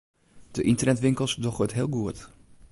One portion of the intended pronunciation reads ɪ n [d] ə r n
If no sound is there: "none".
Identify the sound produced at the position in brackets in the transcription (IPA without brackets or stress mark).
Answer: t